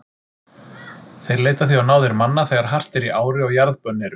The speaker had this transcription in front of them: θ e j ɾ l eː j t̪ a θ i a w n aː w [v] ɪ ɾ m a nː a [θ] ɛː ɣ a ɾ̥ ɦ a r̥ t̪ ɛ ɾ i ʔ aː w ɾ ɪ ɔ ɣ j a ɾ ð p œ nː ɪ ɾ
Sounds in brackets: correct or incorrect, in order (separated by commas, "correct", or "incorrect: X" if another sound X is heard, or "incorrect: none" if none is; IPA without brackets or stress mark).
incorrect: ð, correct